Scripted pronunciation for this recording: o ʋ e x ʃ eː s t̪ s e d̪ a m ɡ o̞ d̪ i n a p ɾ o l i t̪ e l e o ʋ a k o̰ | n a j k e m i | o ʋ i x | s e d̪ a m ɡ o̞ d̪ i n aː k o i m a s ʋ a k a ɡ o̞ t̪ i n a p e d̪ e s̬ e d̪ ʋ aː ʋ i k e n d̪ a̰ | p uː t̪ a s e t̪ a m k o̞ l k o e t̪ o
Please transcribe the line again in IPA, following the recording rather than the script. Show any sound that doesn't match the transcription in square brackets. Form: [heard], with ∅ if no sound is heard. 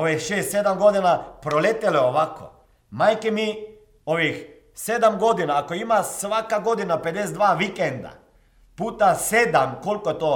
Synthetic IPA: o ʋ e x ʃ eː s t̪ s e d̪ a m ɡ o̞ d̪ i n a p ɾ o l [e] t̪ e l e o ʋ a k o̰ | [m] a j k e m i | o ʋ i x | s e d̪ a m ɡ o̞ d̪ i n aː k o i m a s ʋ a k a ɡ o̞ [d̪] i n a p e d̪ e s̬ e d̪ ʋ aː ʋ i k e n d̪ a̰ | p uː t̪ a s e [d̪] a m k o̞ l k o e t̪ o